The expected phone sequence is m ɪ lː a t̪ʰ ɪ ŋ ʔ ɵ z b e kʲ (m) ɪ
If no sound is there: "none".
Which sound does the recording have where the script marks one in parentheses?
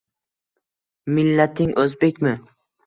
m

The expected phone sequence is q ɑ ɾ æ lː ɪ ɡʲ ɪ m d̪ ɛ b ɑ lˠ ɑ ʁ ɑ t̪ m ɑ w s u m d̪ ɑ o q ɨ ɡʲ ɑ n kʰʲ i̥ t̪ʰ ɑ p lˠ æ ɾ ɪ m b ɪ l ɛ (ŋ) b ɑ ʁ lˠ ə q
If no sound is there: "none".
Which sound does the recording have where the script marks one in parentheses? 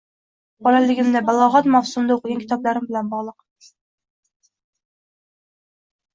n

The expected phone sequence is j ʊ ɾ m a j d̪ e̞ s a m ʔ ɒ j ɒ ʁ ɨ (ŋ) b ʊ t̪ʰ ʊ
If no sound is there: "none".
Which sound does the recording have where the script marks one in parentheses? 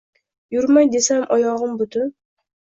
m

